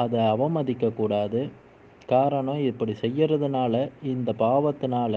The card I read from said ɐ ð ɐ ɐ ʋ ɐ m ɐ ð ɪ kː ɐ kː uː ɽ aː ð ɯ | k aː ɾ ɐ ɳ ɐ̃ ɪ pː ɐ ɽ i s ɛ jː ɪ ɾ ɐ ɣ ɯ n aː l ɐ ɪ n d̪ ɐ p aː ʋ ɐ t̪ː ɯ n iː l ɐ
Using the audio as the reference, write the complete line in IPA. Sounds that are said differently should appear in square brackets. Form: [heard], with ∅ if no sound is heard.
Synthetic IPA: ɐ ð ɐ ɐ ʋ ɐ m ɐ ð ɪ kː ɐ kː uː ɽ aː ð ɯ | k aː ɾ ɐ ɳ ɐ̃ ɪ pː ɐ ɽ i s ɛ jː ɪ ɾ ɐ [ð] ɯ n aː l ɐ ɪ n d̪ ɐ p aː ʋ ɐ t̪ː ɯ n [aː] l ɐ